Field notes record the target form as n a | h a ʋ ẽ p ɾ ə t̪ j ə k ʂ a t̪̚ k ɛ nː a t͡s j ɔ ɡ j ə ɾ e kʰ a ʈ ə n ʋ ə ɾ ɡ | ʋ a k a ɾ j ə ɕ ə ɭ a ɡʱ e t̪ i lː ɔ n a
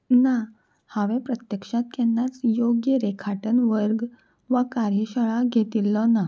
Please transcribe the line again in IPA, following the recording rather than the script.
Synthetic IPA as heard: n a | h a ʋ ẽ p ɾ ə t̪ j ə k ʂ a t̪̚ k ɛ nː a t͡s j o ɡ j ə ɾ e kʰ a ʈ ə n ʋ ə ɾ ɡ | ʋ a k a ɾ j ə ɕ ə ɭ a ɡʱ e t̪ i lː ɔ n a